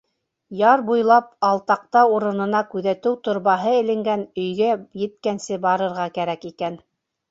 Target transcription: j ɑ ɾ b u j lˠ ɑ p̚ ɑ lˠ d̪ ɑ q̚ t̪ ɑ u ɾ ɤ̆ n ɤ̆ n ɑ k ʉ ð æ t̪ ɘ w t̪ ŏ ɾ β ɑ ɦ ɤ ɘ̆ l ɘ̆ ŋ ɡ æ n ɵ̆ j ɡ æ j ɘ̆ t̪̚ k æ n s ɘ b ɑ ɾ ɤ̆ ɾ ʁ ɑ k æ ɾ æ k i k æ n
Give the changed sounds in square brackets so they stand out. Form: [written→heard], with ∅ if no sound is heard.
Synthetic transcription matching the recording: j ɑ ɾ b u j lˠ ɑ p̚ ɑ lˠ [d̪→t̪] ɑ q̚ t̪ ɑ u ɾ ɤ̆ n ɤ̆ n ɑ k ʉ ð æ t̪ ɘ w t̪ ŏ ɾ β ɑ ɦ ɤ ɘ̆ l ɘ̆ ŋ ɡ æ n ɵ̆ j ɡ æ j ɘ̆ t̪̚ k æ n s ɘ b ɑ ɾ ɤ̆ ɾ ʁ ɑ k æ ɾ æ k i k æ n